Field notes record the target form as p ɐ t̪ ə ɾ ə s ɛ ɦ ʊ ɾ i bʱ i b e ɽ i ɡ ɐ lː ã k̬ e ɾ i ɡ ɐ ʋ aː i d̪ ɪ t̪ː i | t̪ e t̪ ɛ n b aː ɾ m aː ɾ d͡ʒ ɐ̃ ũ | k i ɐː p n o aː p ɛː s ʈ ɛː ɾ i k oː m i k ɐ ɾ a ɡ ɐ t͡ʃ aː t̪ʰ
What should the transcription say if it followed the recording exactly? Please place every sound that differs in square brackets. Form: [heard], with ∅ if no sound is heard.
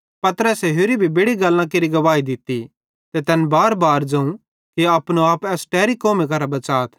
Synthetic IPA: p ɐ t̪ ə ɾ ə s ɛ ɦ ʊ ɾ i bʱ i b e ɽ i ɡ ɐ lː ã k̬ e ɾ i ɡ ɐ ʋ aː i d̪ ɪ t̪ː i | t̪ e t̪ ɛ n b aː ɾ [b] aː ɾ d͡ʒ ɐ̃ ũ | k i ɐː p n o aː p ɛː s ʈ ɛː ɾ i k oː m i k ɐ ɾ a [b] ɐ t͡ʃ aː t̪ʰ